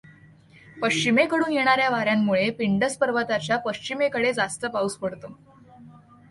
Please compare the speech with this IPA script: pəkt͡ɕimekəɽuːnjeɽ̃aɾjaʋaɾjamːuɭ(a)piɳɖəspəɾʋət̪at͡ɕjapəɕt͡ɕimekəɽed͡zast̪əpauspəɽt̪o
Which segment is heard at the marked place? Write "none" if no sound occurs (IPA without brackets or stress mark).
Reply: e